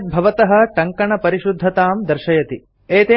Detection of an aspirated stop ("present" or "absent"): absent